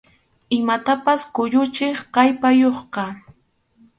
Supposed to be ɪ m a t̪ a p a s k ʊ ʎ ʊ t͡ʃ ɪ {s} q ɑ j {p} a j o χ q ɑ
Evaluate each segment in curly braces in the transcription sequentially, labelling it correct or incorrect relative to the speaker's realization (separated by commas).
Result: incorrect, correct